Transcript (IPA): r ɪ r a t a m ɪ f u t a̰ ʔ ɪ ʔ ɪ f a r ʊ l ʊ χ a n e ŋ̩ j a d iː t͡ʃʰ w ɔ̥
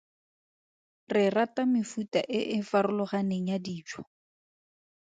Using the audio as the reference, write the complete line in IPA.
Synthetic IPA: r ɪ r a t a m ɪ f u t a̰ ʔ ɪ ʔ ɪ f a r ʊ l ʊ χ a n e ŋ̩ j a d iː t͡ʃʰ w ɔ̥